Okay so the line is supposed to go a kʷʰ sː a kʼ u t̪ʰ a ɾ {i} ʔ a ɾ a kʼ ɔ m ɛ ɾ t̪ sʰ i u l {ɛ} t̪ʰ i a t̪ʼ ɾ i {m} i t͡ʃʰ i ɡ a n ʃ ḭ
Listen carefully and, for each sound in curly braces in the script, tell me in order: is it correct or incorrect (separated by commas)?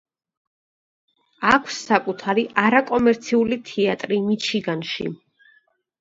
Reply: correct, incorrect, correct